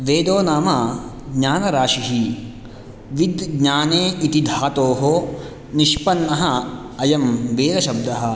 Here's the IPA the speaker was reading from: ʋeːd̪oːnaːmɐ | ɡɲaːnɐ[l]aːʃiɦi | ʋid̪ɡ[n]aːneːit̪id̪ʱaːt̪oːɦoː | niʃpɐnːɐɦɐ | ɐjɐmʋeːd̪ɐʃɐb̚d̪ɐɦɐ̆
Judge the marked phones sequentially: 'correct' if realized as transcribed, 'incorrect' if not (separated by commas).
incorrect, incorrect